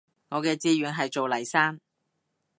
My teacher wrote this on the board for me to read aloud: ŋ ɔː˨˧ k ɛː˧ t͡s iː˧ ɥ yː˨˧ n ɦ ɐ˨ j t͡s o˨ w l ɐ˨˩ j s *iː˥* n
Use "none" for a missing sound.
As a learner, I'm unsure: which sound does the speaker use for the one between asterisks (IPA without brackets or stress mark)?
aː˥